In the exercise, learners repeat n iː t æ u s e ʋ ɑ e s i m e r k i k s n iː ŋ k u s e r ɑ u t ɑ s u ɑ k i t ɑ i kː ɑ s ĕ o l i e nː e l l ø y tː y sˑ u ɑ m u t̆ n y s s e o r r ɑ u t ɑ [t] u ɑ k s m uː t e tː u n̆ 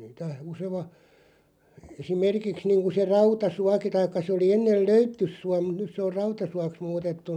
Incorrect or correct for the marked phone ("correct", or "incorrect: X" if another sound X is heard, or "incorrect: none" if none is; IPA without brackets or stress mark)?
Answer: incorrect: s